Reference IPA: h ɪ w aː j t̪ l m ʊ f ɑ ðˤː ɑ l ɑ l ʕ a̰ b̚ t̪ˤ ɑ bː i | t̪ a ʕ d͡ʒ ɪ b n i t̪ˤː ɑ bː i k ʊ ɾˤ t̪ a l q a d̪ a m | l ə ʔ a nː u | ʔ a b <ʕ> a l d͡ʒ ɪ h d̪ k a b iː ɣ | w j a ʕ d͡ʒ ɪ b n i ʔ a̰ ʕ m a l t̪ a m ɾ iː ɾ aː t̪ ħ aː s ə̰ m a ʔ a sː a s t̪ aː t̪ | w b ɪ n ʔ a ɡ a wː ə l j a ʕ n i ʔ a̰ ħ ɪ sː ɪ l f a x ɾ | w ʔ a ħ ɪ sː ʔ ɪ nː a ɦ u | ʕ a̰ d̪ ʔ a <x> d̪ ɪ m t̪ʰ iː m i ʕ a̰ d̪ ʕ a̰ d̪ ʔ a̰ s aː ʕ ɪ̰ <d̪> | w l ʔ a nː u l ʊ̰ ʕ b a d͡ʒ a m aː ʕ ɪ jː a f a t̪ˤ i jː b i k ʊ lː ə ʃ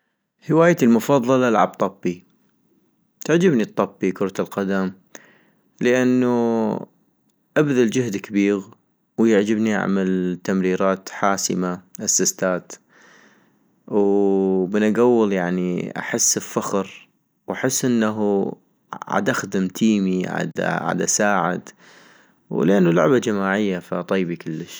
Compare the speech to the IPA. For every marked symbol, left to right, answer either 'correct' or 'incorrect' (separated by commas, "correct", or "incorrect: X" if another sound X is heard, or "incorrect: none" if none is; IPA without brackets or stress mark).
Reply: incorrect: ð, correct, correct